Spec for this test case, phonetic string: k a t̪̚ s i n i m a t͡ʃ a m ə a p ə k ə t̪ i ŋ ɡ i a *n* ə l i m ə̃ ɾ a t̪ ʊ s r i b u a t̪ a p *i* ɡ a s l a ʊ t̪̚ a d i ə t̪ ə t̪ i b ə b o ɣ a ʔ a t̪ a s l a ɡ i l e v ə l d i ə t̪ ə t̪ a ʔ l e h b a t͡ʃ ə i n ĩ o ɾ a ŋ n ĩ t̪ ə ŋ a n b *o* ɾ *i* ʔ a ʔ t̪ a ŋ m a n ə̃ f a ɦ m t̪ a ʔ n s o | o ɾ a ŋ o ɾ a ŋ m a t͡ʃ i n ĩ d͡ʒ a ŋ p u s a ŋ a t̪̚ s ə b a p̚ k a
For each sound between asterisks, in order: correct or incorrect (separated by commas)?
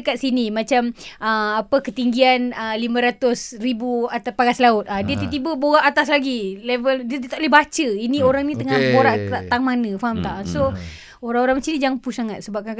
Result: correct, incorrect, correct, incorrect